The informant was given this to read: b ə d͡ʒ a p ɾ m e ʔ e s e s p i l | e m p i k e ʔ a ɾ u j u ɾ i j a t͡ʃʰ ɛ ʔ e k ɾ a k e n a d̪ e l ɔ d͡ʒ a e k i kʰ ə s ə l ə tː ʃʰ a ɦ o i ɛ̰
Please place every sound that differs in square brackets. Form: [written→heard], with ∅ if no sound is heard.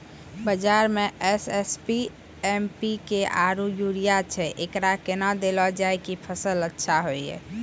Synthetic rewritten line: b ə d͡ʒ a [p→∅] ɾ m e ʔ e s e s p i [l→∅] | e m p i k e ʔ a ɾ u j u ɾ i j a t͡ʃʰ ɛ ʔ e k ɾ a k e n a d̪ e l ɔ d͡ʒ a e k i [kʰ→pʰ] ə s ə l ə tː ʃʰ a ɦ o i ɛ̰